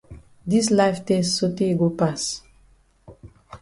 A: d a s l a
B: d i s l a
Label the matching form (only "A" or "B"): B